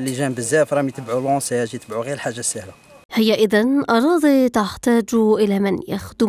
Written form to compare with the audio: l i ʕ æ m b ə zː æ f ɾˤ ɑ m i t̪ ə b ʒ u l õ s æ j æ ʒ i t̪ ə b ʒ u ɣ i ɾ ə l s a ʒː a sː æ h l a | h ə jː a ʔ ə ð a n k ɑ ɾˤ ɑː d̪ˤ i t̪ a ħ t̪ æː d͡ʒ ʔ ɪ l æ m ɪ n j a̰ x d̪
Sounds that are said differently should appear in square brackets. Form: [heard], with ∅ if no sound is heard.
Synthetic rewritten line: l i [ʒ] æ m b ə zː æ f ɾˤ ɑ m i t̪ ə b [ʕ] u l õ s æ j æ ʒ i t̪ ə b [ʕ] u ɣ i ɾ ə l [ħ] a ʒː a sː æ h l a | h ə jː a ʔ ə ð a n [ʔ] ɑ ɾˤ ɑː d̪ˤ i t̪ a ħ t̪ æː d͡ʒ ʔ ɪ l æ m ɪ n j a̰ x d̪